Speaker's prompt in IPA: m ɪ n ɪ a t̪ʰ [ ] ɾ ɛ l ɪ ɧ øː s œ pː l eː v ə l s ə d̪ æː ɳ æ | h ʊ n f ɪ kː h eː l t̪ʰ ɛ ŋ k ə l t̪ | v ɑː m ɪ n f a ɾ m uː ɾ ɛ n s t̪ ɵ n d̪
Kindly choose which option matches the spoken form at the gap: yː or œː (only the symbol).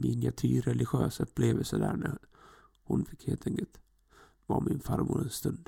yː